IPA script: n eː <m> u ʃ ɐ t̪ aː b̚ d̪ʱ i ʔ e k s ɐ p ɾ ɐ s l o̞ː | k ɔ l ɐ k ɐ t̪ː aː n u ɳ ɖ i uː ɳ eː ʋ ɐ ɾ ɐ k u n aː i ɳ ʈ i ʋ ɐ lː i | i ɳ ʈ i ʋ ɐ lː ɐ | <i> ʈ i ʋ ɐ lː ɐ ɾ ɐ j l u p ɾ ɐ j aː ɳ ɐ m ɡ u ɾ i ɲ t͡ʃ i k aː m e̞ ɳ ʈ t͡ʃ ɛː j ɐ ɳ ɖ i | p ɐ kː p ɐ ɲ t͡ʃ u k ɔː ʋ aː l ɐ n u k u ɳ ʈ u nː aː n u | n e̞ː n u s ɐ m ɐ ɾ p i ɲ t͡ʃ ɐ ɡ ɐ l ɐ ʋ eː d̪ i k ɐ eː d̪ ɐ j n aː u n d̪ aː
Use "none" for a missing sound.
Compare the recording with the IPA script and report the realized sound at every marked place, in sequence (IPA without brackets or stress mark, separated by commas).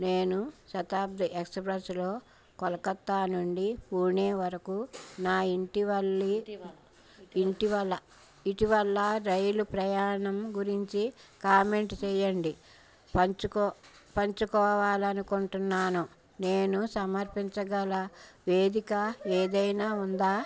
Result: n, i